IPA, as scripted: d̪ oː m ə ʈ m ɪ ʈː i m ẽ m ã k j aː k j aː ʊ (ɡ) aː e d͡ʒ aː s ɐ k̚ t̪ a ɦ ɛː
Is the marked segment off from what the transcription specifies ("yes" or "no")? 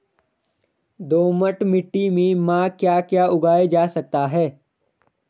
no